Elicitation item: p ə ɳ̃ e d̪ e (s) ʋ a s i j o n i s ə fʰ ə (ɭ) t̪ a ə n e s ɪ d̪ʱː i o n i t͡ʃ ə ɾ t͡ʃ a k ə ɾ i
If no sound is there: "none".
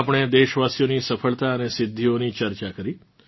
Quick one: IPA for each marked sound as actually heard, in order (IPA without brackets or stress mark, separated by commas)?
ʃ, ɭ